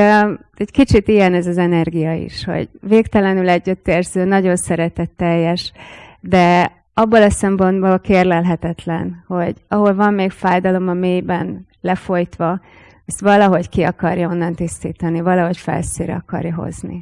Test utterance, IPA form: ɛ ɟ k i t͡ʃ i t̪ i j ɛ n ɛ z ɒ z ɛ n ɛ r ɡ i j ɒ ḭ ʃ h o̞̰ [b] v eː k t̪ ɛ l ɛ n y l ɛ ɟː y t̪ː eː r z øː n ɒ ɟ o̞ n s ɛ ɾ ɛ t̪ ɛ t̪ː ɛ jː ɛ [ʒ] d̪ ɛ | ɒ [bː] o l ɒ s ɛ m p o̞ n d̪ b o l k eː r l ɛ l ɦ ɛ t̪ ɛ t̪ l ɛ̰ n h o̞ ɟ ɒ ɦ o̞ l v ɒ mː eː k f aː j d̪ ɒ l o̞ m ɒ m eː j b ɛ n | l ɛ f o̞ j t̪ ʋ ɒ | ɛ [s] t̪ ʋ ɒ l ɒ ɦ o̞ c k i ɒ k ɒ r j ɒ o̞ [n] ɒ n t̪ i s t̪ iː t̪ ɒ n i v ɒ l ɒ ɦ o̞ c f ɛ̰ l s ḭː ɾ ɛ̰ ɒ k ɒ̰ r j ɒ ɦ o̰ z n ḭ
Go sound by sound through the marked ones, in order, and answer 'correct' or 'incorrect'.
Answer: incorrect: ɟ, incorrect: ʃ, correct, correct, incorrect: nː

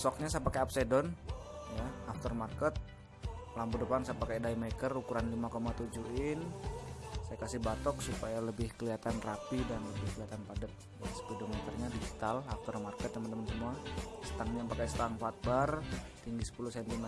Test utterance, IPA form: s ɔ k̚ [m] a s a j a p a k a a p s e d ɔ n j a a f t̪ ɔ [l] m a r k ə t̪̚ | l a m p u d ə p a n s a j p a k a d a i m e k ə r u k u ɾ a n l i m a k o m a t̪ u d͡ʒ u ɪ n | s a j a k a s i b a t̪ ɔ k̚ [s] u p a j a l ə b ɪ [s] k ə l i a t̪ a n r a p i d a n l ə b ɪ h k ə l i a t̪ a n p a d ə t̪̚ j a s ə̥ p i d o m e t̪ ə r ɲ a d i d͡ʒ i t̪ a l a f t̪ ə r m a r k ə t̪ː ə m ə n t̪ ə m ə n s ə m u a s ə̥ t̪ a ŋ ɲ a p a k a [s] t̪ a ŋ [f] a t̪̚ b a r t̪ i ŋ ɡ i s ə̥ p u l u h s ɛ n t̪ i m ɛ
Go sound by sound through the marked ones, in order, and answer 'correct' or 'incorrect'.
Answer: incorrect: ɲ, incorrect: r, correct, incorrect: h, correct, correct

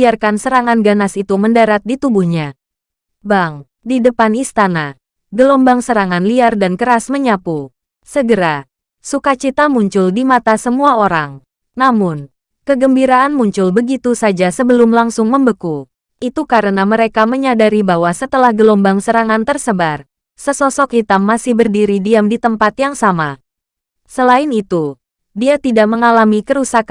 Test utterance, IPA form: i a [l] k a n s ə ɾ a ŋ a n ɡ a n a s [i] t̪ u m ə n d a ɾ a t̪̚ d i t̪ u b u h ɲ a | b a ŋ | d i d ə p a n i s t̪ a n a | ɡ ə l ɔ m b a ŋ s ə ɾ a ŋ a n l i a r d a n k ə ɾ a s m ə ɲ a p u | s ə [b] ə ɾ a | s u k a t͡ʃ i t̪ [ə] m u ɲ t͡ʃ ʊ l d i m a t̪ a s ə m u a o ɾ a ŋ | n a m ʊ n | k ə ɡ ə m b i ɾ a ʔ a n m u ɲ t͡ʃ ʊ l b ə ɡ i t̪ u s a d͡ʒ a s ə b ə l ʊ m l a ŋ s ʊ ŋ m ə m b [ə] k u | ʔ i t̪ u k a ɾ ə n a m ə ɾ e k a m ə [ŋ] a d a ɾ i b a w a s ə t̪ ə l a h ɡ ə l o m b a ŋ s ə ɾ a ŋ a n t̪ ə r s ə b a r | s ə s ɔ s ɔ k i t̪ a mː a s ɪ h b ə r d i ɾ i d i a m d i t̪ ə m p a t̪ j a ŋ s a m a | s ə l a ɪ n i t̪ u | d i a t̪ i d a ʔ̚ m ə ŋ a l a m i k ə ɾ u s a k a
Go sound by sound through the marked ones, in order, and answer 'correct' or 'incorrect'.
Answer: incorrect: r, correct, incorrect: ɡ, incorrect: a, correct, incorrect: ɲ

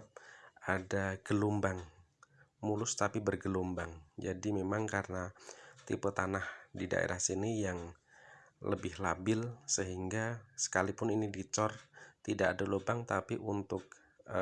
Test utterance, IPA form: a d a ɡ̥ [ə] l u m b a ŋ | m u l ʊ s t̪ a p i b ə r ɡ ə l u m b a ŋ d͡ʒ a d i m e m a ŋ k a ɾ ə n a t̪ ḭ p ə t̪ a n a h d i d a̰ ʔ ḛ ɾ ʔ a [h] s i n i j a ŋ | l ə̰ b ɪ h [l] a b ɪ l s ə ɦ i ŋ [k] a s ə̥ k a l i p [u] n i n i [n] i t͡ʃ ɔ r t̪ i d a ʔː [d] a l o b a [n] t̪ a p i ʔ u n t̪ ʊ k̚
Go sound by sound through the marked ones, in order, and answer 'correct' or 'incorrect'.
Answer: correct, correct, correct, incorrect: ɡ, incorrect: ʊ, incorrect: d, correct, incorrect: ŋ

